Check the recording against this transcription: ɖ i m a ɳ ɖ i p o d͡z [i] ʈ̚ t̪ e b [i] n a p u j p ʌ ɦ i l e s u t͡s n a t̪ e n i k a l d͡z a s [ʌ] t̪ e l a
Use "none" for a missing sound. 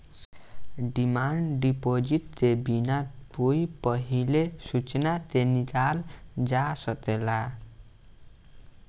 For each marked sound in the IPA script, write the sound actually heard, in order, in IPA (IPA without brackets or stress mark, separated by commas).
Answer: i, i, ʌ